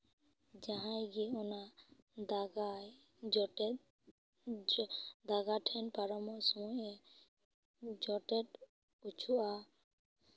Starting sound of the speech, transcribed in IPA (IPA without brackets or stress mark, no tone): d͡ʒ